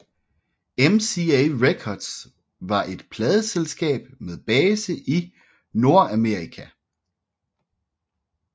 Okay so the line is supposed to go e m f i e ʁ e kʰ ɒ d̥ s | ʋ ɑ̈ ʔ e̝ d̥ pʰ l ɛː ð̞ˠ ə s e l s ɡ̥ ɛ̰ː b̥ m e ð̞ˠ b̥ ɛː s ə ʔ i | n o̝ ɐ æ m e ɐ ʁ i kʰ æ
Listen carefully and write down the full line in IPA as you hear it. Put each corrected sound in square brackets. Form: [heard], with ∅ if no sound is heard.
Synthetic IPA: e m [s] i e ʁ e kʰ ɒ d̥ s | ʋ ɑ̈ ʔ e̝ d̥ pʰ l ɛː ð̞ˠ ə s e l s ɡ̥ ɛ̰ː b̥ m e ð̞ˠ b̥ ɛː s ə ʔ i | n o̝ ɐ æ m e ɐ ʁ i kʰ æ